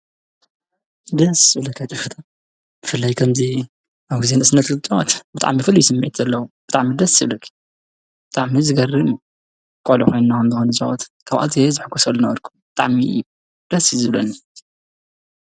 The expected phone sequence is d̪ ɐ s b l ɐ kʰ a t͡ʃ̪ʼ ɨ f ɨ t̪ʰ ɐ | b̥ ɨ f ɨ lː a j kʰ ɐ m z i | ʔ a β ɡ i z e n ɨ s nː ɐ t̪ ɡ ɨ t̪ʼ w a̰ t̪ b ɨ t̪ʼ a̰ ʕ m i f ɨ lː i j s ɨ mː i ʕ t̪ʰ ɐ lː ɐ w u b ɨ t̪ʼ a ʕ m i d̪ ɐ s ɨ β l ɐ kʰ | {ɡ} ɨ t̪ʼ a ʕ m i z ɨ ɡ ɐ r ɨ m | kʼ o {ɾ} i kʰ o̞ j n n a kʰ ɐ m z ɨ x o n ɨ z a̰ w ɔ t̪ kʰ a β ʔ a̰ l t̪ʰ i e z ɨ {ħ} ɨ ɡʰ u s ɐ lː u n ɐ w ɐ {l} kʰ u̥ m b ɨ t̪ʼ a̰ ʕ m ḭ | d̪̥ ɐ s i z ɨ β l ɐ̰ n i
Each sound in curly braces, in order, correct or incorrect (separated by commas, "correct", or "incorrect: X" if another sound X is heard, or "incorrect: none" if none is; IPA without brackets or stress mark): incorrect: b, incorrect: l, correct, incorrect: ɾ